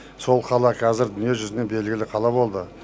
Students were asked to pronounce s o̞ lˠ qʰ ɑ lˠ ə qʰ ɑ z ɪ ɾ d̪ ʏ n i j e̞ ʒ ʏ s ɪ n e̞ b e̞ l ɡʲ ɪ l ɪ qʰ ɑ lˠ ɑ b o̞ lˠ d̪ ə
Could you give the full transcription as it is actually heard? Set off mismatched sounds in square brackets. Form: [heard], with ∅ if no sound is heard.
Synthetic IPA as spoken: s o̞ lˠ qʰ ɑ lˠ [ɑ] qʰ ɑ z ɪ ɾ d̪ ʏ n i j e̞ ʒ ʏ [z] ɪ n e̞ b e̞ l ɡʲ ɪ l ɪ qʰ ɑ lˠ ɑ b o̞ lˠ d̪ ə